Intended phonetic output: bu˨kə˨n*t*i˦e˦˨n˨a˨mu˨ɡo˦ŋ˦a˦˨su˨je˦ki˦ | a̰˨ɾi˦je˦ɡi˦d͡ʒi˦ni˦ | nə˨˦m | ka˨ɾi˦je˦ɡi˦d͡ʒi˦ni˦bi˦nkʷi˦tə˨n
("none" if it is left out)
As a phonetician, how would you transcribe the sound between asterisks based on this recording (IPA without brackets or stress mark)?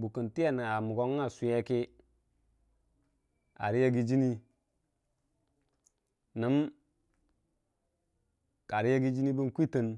t